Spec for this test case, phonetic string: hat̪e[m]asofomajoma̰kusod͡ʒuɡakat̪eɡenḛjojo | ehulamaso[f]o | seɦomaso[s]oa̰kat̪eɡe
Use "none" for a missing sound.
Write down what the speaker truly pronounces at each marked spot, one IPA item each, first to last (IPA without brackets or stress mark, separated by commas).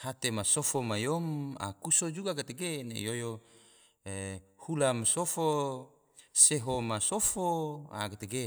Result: m, f, f